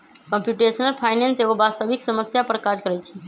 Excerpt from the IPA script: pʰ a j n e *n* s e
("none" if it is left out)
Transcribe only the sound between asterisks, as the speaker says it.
n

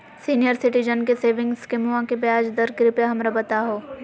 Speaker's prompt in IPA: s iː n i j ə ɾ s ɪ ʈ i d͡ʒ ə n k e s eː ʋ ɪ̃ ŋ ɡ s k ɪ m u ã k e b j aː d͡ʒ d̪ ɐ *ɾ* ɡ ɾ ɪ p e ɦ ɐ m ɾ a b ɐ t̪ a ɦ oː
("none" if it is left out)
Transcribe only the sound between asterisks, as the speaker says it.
ɾ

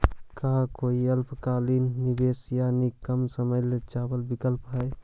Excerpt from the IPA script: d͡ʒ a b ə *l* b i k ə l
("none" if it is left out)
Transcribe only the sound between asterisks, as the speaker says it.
l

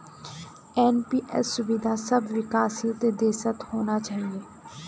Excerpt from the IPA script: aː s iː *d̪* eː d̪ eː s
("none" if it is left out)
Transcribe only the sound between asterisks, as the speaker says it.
t̪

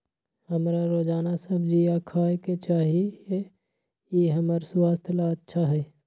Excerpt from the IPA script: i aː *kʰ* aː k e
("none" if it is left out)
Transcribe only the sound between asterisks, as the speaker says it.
kʰ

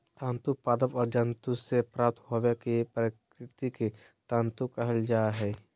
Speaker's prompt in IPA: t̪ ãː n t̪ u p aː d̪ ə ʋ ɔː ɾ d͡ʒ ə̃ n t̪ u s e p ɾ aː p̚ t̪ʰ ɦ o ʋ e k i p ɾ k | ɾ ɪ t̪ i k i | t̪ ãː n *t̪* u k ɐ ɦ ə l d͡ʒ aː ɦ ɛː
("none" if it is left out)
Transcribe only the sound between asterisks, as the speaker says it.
t̪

